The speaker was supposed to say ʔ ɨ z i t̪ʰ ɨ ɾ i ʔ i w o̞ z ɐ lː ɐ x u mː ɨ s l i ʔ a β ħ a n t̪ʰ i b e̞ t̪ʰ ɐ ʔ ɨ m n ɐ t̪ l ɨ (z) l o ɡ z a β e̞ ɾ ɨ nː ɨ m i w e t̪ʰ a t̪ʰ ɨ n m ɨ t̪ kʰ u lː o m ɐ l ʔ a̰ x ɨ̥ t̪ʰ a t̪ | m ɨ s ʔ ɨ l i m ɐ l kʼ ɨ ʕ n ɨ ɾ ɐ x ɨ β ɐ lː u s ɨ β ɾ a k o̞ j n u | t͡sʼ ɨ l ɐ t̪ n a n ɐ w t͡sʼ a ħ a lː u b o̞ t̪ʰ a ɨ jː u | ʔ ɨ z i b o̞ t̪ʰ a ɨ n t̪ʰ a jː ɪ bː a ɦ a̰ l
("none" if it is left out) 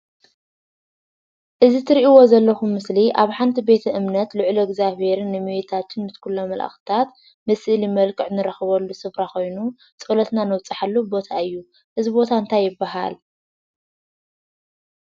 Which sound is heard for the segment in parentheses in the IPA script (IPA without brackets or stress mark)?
ʕ